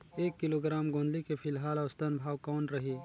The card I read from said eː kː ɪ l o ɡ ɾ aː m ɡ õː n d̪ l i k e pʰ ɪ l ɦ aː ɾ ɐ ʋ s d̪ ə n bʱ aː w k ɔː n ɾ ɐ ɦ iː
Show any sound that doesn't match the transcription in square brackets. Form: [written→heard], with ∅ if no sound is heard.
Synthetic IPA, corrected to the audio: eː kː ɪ l o ɡ ɾ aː m ɡ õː n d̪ l i k e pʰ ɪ l ɦ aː [ɾ→l] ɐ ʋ s [d̪→t̪] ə n bʱ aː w k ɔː n ɾ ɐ ɦ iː